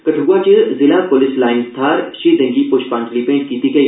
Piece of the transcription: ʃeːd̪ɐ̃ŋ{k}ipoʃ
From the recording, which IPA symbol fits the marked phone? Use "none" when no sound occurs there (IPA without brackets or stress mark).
ɡ